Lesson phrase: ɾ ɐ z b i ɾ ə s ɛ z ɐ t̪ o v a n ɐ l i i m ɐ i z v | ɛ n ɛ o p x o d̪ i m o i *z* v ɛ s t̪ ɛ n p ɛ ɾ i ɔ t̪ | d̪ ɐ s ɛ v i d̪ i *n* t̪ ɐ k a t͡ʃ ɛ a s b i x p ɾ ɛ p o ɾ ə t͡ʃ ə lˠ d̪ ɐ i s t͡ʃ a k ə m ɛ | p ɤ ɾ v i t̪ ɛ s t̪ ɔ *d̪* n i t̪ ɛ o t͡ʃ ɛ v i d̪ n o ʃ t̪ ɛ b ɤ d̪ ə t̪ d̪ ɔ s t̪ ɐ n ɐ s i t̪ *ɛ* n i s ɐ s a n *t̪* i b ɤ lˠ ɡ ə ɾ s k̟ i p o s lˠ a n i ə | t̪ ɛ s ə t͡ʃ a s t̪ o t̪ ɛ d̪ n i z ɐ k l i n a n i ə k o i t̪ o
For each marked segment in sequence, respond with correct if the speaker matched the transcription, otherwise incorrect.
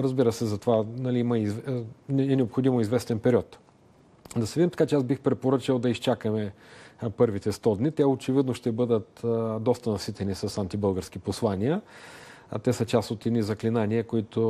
correct, incorrect: m, correct, correct, correct

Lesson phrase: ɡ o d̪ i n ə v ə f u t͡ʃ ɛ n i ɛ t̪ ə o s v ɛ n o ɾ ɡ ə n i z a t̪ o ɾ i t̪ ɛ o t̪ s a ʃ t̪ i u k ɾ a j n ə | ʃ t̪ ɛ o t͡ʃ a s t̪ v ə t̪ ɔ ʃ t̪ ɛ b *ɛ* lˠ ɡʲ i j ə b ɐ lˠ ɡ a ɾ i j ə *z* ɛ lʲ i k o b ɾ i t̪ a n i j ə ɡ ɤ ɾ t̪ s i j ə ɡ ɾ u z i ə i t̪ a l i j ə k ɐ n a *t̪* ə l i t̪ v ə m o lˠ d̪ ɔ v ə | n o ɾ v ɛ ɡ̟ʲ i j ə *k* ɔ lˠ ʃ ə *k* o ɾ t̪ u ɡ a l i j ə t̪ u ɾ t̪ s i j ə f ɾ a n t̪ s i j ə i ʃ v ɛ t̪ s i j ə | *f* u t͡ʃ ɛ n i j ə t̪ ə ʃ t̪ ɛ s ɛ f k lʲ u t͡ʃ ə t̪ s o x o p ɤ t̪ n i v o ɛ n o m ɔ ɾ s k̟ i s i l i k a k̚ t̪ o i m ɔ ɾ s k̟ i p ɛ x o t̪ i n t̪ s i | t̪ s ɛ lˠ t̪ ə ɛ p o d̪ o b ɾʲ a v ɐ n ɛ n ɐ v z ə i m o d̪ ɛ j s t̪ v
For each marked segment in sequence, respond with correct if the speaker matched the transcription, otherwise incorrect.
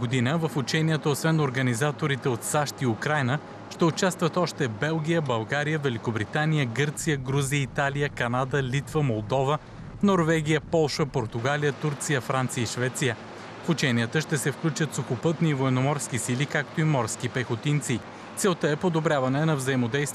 correct, incorrect: v, incorrect: d̪, incorrect: p, incorrect: p, correct

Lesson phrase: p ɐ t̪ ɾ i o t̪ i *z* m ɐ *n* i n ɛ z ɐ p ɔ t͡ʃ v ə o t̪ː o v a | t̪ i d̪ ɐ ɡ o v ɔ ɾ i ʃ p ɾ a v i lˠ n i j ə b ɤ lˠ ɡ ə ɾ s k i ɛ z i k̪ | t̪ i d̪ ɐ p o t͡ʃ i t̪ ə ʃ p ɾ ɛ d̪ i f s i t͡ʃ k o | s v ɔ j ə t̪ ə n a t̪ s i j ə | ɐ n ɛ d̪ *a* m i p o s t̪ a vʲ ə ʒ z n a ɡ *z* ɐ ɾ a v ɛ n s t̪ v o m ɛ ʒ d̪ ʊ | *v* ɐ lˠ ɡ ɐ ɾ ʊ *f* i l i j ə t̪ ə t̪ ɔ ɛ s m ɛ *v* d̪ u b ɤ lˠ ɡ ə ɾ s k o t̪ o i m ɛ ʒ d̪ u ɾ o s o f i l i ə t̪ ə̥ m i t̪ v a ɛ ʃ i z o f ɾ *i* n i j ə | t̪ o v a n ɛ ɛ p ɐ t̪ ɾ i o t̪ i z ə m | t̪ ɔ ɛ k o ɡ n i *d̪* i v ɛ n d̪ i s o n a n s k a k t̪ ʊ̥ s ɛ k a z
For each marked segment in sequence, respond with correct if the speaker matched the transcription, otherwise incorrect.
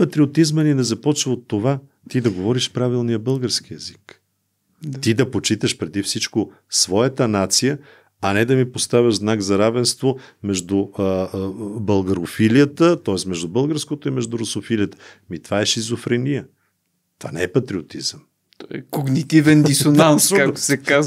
correct, correct, incorrect: ɐ, correct, incorrect: b, correct, incorrect: ʒ, incorrect: ɛ, incorrect: t̪

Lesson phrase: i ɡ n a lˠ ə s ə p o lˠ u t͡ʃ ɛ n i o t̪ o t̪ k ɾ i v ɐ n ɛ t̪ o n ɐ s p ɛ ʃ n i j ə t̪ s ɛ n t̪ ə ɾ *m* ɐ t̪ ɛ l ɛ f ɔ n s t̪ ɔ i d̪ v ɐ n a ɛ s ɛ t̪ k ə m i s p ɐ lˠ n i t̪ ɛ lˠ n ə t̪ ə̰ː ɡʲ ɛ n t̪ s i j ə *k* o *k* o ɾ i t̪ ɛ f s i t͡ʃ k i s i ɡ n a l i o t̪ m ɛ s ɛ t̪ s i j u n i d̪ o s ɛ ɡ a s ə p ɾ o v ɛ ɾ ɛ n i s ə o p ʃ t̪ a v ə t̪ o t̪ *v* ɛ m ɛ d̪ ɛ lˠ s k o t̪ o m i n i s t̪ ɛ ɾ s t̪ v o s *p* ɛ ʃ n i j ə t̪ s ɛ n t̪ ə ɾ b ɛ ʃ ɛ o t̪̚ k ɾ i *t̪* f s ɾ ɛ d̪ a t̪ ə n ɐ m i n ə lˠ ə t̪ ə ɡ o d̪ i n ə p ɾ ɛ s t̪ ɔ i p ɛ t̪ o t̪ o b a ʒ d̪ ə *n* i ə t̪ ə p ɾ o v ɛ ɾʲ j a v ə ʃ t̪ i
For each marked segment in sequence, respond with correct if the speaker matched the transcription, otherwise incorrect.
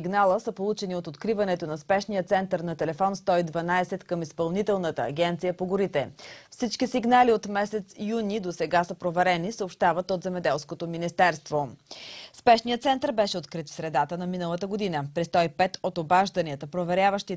incorrect: n, incorrect: p, incorrect: ɡ, incorrect: z, correct, correct, correct

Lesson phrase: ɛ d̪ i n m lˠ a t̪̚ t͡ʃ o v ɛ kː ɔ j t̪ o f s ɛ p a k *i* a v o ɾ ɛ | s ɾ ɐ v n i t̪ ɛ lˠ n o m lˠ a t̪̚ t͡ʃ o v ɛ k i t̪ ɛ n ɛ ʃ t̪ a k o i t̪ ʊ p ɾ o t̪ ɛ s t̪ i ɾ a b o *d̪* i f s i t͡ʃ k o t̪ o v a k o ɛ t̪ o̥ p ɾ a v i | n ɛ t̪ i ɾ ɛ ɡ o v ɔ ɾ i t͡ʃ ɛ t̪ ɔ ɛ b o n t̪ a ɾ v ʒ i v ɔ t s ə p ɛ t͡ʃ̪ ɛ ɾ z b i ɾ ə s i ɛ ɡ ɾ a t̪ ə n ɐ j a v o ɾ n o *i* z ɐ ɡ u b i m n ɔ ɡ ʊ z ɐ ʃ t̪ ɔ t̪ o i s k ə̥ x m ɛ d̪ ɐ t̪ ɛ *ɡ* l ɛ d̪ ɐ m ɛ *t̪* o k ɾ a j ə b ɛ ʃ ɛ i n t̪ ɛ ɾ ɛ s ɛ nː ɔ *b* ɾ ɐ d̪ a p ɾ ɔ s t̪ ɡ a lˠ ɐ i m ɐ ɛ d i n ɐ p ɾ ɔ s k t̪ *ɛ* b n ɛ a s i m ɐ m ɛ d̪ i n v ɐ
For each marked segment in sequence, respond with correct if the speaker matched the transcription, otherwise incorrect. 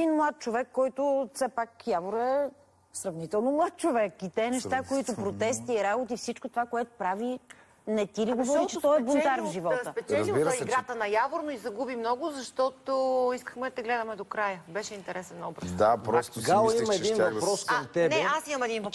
incorrect: j, incorrect: t̪, correct, correct, incorrect: d̪, correct, correct

